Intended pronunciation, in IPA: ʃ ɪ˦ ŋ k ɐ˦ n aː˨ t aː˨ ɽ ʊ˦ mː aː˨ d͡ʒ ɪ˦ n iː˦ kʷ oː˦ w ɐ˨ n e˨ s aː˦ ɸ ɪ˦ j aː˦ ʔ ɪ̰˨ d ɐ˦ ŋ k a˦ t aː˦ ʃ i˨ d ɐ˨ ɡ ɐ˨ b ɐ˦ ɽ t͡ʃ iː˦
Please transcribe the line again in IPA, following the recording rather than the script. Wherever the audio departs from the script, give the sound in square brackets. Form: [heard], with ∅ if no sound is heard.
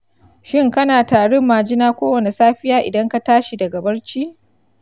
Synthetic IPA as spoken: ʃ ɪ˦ ŋ k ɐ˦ n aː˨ t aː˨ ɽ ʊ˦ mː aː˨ d͡ʒ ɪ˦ n [aː˦] kʷ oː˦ w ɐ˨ n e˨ s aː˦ ɸ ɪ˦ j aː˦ ʔ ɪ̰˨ d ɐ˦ ŋ k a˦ t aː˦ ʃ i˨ d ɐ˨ ɡ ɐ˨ b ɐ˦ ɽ t͡ʃ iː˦

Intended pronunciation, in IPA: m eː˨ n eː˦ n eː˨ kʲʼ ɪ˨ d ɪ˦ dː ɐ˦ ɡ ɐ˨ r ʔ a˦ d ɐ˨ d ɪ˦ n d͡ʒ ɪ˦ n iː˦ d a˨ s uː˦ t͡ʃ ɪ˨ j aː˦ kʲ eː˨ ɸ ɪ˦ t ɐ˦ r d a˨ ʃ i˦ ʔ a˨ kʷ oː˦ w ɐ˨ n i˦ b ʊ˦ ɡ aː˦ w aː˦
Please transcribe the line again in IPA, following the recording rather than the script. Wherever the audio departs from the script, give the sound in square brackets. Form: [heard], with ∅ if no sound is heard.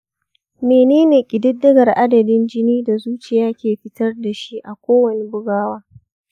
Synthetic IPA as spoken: m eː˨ n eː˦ n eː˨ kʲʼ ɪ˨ d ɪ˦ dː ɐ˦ ɡ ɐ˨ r ʔ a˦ d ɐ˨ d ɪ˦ n d͡ʒ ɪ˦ n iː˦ d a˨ [z] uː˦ t͡ʃ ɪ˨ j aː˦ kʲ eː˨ ɸ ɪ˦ t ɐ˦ r d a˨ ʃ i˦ ʔ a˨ kʷ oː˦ w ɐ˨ n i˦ b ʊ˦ ɡ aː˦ w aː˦

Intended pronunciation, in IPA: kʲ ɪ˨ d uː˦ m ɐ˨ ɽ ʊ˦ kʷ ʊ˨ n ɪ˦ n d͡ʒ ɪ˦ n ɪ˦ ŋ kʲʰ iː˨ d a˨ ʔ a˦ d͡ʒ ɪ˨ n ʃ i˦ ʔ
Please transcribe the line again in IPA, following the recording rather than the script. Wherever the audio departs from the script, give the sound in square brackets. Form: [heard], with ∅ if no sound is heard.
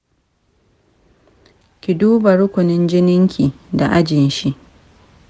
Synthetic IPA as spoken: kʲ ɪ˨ d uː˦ [b] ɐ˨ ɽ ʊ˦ kʷ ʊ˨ n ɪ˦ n d͡ʒ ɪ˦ n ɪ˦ ŋ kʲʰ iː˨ d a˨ ʔ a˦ d͡ʒ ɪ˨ n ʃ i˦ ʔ

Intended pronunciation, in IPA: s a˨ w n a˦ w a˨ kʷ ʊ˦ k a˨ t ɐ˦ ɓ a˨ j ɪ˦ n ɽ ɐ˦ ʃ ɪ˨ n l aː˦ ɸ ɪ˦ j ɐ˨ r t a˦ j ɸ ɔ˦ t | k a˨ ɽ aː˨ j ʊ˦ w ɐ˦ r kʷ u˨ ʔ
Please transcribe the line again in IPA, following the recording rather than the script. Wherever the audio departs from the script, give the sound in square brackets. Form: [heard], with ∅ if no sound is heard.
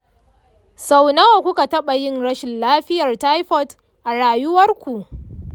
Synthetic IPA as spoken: s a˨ w n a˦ w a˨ kʷ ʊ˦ k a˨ t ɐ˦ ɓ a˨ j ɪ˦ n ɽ ɐ˦ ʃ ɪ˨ n l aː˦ ɸ ɪ˦ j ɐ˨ r t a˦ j ɸ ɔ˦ t | [ʔ] a˨ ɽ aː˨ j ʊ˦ w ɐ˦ r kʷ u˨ ʔ

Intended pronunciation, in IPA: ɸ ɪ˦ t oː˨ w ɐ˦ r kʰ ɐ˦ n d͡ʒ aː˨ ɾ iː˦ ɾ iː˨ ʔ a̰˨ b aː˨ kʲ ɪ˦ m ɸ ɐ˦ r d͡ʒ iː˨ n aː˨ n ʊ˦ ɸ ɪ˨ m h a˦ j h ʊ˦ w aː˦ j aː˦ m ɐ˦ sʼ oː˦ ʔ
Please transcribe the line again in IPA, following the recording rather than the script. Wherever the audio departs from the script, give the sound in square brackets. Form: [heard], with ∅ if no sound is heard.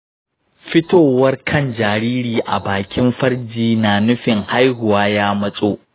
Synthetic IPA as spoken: ɸ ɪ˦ t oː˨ w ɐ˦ r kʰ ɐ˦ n d͡ʒ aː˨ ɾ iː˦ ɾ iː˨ ʔ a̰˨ b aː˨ kʲ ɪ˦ m ɸ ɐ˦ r d͡ʒ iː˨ n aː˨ n ʊ˦ ɸ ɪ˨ [ŋ] h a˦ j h [ʊ˨] w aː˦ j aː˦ m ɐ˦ sʼ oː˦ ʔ

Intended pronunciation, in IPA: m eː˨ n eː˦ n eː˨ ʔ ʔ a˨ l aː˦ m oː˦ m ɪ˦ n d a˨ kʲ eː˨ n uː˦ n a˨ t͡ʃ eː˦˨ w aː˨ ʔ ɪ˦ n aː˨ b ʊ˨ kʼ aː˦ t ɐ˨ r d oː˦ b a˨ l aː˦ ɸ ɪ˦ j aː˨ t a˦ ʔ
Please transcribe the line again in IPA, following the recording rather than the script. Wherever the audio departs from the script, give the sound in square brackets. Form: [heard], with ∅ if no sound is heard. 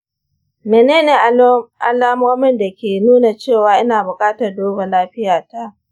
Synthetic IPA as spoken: m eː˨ n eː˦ n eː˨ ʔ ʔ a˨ l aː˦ m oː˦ m ɪ˦ n d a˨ kʲ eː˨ n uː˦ n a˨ t͡ʃ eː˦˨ w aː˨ ʔ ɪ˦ n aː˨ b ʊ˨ kʼ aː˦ t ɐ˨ r d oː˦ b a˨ l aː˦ ɸ ɪ˦ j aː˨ t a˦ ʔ

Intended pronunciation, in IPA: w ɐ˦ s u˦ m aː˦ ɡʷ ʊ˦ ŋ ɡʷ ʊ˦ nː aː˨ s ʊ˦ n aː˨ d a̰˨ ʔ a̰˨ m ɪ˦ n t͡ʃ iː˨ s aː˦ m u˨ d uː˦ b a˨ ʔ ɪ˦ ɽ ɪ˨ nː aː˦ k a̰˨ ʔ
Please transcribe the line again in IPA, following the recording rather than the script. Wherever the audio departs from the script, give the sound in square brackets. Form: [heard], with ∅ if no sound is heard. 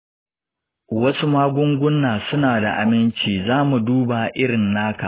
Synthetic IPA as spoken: w ɐ˦ s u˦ m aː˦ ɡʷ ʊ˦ ŋ ɡʷ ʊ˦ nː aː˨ s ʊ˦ n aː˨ d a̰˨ ʔ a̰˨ m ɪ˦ n t͡ʃ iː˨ [z] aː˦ m u˨ d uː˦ b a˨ ʔ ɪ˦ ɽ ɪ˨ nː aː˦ k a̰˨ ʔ

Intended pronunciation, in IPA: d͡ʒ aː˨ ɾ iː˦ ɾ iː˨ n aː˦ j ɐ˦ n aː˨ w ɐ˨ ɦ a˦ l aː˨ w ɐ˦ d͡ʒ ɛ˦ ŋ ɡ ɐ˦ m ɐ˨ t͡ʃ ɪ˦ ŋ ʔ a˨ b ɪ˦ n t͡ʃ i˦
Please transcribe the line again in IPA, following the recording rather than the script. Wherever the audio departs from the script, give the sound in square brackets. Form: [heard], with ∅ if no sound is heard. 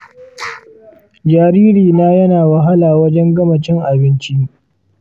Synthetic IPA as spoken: d͡ʒ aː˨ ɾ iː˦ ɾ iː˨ n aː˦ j ɐ˦ n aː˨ w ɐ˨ ɦ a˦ l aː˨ w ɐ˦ d͡ʒ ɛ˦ ŋ ɡ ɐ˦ m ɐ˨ t͡ʃ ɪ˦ ŋ ʔ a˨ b ɪ˦ n t͡ʃ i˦

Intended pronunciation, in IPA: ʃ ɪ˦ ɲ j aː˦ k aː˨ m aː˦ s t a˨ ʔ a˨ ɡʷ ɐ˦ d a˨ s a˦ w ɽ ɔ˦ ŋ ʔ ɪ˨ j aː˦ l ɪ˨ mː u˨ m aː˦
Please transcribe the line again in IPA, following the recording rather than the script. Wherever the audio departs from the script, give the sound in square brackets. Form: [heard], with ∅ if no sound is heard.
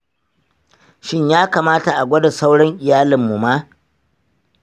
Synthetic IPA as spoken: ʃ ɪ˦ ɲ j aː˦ k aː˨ m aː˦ [∅] t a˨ ʔ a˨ ɡʷ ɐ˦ d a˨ s a˦ w ɽ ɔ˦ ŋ ʔ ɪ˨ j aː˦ l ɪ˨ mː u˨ m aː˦

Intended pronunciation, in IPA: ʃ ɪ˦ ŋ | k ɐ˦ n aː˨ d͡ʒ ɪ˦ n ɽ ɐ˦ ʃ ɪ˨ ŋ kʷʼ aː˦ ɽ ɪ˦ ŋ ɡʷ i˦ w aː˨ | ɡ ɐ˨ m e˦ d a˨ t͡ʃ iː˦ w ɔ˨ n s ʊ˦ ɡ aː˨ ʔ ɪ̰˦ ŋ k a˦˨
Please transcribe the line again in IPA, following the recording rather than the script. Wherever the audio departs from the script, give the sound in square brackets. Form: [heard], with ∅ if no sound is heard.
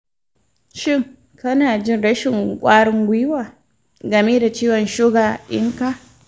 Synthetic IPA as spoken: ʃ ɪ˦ ŋ | k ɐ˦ n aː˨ d͡ʒ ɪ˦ n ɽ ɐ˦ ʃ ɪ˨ ŋ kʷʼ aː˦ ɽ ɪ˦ ŋ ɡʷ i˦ w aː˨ | ɡ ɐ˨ m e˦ d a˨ t͡ʃ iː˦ w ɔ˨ n [ʃ] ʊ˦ ɡ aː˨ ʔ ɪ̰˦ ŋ k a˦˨

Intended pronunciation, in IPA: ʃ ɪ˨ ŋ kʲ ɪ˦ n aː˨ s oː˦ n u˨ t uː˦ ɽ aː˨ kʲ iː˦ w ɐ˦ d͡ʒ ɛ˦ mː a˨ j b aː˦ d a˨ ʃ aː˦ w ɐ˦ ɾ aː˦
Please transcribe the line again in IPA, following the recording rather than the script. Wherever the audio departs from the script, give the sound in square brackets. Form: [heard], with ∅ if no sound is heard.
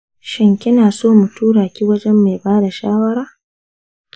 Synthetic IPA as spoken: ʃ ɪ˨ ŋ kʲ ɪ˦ n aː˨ s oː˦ [m] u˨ t uː˦ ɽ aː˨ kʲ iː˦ w ɐ˦ d͡ʒ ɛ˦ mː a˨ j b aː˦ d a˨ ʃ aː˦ w ɐ˦ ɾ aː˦

